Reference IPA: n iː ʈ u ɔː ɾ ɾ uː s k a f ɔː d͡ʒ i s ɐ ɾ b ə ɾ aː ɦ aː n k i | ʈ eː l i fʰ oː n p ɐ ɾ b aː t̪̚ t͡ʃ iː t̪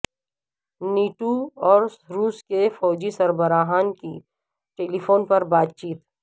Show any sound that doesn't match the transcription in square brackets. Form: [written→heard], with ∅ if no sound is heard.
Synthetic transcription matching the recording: n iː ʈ u ɔː ɾ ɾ uː s k [a→e] f ɔː d͡ʒ i s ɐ ɾ b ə ɾ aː ɦ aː n k i | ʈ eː l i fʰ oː n p ɐ ɾ b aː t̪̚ t͡ʃ iː t̪